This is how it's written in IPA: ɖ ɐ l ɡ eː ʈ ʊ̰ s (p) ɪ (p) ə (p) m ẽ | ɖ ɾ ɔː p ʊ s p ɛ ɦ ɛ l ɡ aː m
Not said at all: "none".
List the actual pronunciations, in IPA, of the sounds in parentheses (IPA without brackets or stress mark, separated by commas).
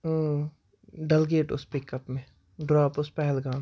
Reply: p, k, p